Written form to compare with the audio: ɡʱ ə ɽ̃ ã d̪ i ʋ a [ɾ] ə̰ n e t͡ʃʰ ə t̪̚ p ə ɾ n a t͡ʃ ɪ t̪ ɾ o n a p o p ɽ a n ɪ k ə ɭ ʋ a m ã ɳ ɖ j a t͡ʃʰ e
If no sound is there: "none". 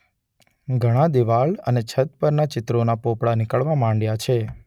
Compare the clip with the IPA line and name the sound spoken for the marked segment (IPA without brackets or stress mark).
ɭ